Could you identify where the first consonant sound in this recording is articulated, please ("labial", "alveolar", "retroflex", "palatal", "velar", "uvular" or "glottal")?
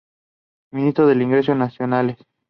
labial